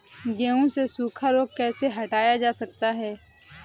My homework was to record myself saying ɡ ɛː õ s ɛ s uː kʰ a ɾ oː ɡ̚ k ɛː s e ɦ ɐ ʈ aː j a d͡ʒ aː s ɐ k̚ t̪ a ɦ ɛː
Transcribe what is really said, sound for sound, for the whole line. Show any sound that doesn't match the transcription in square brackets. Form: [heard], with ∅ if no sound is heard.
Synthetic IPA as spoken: ɡ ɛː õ s [e] s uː kʰ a ɾ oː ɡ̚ k ɛː s e ɦ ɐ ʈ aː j a d͡ʒ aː s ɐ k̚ t̪ a ɦ ɛː